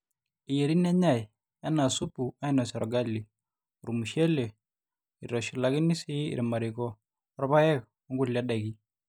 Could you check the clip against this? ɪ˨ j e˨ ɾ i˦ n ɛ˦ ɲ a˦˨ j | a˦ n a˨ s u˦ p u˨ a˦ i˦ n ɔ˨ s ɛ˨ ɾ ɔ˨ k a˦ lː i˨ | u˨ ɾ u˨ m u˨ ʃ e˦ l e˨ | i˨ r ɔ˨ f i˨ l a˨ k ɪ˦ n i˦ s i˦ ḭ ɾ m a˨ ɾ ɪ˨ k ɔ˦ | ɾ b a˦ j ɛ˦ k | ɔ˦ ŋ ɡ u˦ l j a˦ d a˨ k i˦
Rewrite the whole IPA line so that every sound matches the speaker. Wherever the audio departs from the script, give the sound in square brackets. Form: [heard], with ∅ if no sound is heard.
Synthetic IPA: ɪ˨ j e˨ ɾ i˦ n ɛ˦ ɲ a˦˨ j | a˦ n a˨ s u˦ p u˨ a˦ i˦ n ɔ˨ s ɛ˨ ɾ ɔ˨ [ɡ] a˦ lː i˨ | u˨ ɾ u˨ m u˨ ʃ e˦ l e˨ | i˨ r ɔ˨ [ʃ] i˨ l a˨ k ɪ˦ n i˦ s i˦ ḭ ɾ m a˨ ɾ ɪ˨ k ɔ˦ | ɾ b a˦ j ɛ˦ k | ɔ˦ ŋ ɡ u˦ l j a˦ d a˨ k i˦